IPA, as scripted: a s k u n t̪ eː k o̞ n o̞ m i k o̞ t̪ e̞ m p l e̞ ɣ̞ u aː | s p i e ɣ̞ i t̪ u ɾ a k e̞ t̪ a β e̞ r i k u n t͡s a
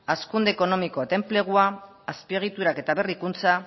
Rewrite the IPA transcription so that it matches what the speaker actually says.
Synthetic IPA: a s k u n d̪ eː k o̞ n o̞ m i k o̞ t̪ e̞ m p l e̞ ɣ̞ u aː | s p i e ɣ̞ i t̪ u ɾ a k e̞ t̪ a β e̞ r i k u n t͡s a